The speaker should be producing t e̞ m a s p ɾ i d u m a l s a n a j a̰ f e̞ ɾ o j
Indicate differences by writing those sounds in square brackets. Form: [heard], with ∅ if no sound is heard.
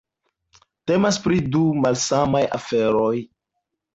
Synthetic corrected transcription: t e̞ m a s p ɾ i d u m a l s a [m] a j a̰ f e̞ ɾ o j